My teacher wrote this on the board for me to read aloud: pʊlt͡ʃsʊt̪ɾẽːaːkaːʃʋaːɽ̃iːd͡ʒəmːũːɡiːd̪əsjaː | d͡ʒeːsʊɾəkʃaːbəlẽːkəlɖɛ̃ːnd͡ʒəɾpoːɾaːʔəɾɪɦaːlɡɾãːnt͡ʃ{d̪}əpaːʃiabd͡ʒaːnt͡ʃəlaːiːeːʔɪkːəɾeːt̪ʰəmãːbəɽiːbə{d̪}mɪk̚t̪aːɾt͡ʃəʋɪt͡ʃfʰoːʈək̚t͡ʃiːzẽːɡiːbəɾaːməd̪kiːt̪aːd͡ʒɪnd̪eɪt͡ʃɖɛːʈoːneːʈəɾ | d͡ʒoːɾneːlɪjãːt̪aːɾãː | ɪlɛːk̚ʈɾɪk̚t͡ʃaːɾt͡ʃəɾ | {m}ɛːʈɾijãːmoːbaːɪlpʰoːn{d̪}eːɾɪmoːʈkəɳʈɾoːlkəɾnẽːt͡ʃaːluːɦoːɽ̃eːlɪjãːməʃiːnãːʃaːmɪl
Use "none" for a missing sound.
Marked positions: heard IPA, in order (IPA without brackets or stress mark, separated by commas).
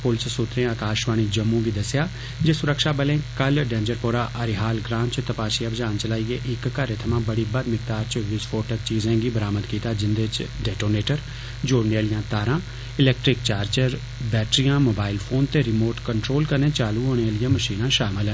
t̪, d̪, b, t̪